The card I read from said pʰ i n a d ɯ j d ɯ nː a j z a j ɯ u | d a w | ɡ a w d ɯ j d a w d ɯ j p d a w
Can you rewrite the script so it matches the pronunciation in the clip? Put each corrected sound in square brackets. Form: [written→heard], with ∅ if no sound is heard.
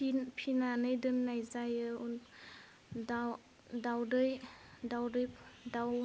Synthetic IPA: pʰ i n a [d→n] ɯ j d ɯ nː a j z a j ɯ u | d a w | [ɡ→d] a w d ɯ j d a w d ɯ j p d a w